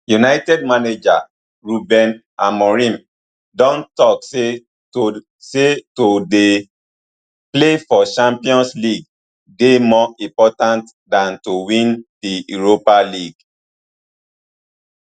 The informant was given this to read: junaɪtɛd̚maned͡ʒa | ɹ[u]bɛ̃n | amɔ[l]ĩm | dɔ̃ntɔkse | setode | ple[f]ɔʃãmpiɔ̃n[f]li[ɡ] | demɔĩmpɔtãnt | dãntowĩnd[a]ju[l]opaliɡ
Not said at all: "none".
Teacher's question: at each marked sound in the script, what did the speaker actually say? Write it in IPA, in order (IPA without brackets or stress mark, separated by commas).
u, ɹ, f, s, ɡ, i, ɹ